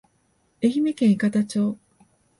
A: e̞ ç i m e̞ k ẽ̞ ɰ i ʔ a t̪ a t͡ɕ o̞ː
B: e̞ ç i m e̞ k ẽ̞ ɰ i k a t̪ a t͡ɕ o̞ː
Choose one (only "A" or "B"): B